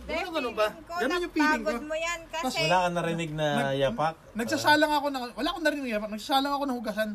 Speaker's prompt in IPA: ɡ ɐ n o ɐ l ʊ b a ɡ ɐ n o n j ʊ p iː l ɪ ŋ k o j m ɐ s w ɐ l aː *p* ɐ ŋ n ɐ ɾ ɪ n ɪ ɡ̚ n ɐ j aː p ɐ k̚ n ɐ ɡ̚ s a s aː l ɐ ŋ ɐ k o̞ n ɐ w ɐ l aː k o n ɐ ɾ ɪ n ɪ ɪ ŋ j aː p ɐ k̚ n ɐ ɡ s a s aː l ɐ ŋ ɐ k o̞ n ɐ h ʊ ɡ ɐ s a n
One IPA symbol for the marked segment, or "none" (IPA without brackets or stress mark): k